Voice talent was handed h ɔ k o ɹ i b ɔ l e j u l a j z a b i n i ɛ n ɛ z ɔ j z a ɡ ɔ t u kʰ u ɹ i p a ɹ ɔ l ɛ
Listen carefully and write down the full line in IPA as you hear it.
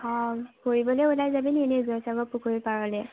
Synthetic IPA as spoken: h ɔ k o ɹ i b ɔ l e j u l a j z a b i n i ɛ n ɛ z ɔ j s a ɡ ɔ p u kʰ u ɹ i p a ɹ ɔ l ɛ